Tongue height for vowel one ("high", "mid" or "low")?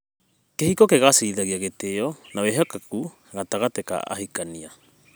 mid